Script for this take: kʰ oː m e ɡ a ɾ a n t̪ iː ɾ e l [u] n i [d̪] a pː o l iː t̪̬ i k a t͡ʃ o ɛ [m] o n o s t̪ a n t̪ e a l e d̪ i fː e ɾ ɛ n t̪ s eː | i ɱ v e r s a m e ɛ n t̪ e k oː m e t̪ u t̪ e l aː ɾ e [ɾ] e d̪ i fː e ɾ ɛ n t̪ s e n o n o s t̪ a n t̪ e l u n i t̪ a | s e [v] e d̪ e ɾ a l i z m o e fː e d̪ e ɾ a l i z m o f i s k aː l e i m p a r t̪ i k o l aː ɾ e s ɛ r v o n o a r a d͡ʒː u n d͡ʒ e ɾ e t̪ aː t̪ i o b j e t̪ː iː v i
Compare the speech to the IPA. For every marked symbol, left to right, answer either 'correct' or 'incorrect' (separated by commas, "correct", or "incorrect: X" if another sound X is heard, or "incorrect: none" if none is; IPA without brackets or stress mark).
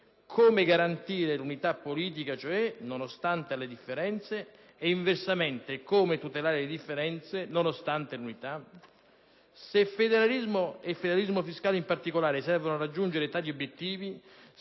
correct, incorrect: t̪, incorrect: n, incorrect: l, incorrect: f